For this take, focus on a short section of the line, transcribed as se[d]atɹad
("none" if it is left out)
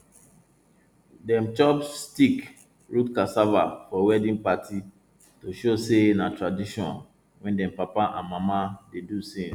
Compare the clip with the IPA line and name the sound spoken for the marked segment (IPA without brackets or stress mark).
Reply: n